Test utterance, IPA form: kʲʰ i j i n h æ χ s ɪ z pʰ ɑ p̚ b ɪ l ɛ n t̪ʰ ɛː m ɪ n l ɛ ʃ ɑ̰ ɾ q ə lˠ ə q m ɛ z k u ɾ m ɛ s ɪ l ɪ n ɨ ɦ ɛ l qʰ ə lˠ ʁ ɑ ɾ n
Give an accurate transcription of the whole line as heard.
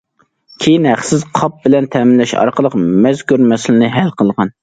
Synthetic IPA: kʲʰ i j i n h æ χ s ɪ z qʰ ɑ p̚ b ɪ l ɛ n t̪ʰ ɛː m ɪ n l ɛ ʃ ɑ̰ ɾ q ə lˠ ə q m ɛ z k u ɾ m ɛ s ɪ l ɪ n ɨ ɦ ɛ l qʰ ə lˠ ʁ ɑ n